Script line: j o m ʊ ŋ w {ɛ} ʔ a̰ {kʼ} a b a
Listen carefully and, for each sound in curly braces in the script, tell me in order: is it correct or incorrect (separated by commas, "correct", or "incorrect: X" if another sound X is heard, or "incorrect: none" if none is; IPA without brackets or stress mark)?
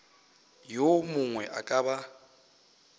correct, correct